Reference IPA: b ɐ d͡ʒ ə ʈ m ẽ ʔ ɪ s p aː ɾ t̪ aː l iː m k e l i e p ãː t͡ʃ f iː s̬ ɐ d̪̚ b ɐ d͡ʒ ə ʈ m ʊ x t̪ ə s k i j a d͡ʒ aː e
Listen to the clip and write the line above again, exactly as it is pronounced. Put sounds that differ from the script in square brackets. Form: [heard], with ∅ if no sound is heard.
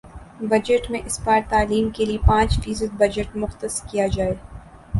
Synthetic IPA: b ɐ d͡ʒ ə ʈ m ẽ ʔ ɪ s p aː ɾ t̪ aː l iː m k e l i e p ãː t͡ʃ f iː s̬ [ə] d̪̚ b ɐ d͡ʒ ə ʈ m ʊ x t̪ ə s k i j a d͡ʒ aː e